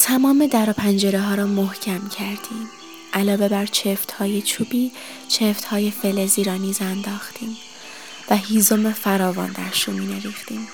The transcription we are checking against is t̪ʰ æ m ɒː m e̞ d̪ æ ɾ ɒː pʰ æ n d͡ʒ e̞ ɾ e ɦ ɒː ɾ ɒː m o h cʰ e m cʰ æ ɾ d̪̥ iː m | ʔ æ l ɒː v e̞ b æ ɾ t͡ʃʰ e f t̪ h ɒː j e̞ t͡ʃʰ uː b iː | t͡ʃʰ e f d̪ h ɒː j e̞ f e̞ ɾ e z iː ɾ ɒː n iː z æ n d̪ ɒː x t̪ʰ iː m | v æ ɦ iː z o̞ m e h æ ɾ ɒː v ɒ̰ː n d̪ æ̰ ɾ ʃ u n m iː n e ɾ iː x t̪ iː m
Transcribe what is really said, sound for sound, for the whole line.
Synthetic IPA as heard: t̪ʰ æ m ɒː m e̞ d̪ æ ɾ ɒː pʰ æ n d͡ʒ e̞ ɾ e ɦ ɒː ɾ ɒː m o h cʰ æ m cʰ æ ɾ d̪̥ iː m | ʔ æ l ɒː v e̞ b æ ɾ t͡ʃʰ e f t̪ h ɒː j e̞ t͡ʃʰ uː b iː | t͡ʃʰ e f t̪ h ɒː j e̞ f e̞ l e z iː ɾ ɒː n iː z æ n d̪ ɒː x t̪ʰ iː m | v æ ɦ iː z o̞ m e f æ ɾ ɒː v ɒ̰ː n d̪ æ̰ ɾ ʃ u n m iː n e ɾ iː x t̪ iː m